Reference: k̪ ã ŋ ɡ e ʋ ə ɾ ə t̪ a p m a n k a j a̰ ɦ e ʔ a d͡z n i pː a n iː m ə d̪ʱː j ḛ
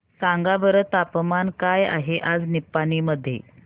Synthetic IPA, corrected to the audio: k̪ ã ŋ ɡ a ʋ ə ɾ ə t̪ a p m a n k a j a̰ ɦ e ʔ a d͡z n i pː a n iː m ə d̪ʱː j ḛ